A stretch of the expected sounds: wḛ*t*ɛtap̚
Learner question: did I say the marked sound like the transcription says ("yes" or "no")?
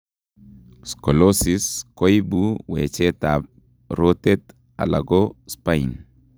no